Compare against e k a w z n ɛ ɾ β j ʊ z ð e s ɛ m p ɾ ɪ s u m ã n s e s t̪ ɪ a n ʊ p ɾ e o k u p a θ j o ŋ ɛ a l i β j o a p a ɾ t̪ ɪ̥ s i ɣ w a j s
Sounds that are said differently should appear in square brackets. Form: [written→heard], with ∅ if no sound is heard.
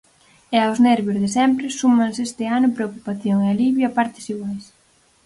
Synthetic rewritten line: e [k→∅] a w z n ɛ ɾ β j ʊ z ð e s ɛ m p ɾ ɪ s u m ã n s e s t̪ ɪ a n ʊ p ɾ e o k u p a θ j o ŋ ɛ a l i β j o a p a ɾ t̪ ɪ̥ s i ɣ w a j s